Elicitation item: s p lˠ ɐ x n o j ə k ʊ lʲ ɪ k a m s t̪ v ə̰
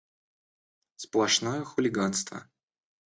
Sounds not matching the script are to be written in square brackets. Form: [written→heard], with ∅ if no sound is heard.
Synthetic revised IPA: s p lˠ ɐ [x→ʂ] n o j ə [k→x] ʊ lʲ ɪ [k→ɡ] a [m→n] s t̪ v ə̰